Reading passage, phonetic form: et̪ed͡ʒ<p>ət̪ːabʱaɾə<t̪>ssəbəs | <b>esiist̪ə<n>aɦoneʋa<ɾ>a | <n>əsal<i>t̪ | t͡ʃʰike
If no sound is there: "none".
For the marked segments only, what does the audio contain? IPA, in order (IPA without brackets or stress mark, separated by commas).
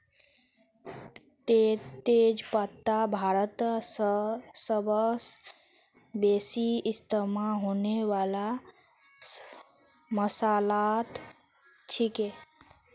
p, t̪, b, m, l, m, a